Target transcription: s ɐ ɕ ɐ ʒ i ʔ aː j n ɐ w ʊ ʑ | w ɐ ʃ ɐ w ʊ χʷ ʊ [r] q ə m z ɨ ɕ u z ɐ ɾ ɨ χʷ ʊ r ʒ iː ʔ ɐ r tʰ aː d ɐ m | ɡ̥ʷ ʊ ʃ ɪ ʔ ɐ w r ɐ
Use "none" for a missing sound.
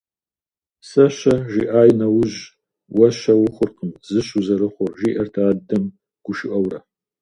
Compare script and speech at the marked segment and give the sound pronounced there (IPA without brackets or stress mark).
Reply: r